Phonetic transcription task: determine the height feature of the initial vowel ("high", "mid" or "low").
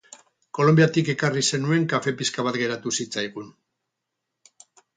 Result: mid